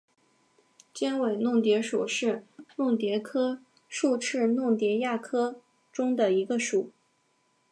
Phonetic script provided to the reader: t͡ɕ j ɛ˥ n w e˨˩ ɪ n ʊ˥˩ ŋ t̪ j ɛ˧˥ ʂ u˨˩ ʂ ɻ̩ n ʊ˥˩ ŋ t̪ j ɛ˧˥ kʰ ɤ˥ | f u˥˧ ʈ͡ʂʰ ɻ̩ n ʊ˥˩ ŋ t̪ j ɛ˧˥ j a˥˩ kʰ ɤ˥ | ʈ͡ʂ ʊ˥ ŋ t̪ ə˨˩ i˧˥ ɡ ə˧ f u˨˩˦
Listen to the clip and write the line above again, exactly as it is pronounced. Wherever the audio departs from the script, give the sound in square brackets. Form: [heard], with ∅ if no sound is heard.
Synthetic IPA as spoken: t͡ɕ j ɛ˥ n w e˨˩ ɪ n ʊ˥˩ ŋ t̪ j ɛ˧˥ ʂ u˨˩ ʂ ɻ̩ n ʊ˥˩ ŋ t̪ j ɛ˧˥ kʰ ɤ˥ | [ʂ] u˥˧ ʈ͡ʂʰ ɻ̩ n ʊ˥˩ ŋ t̪ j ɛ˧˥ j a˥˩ kʰ ɤ˥ | ʈ͡ʂ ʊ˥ ŋ [d̪] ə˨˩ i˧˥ ɡ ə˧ [ʂ] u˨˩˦